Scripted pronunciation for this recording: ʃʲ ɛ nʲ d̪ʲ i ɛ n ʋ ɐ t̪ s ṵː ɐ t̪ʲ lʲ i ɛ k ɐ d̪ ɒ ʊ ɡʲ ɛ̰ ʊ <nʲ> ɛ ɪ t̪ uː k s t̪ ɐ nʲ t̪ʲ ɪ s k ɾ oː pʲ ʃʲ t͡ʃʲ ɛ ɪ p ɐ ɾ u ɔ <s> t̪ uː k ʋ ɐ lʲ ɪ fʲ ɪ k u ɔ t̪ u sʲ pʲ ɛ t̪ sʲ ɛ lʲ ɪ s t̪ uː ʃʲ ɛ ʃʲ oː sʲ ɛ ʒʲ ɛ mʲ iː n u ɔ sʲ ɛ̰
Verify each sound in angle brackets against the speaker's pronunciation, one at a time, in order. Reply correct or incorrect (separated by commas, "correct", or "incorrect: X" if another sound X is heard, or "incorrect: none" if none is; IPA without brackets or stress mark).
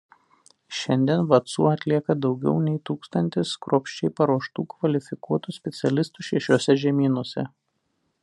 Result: correct, incorrect: ʃ